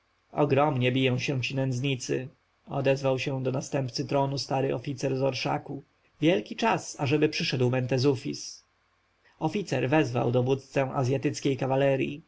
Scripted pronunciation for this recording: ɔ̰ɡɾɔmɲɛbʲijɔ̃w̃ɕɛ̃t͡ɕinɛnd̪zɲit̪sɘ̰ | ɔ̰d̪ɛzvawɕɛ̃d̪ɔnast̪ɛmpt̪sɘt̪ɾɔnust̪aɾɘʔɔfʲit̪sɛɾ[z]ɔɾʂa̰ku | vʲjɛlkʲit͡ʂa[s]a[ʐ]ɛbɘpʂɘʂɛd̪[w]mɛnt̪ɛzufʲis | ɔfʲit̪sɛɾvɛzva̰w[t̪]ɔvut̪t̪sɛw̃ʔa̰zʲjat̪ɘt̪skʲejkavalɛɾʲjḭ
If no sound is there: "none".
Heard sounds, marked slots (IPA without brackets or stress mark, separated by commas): z, s, ʐ, w, d̪